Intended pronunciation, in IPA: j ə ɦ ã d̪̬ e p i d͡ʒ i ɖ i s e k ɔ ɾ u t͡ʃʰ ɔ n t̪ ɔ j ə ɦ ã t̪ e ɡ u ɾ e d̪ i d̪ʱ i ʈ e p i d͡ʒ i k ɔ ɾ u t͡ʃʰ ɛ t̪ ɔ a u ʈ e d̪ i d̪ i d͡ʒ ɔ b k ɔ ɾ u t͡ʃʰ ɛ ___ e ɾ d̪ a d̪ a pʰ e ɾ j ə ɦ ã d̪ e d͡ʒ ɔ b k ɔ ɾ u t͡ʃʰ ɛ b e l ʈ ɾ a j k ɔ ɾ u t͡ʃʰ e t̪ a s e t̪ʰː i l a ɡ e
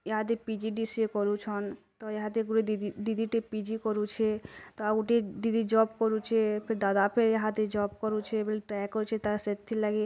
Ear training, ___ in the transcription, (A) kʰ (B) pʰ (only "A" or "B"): B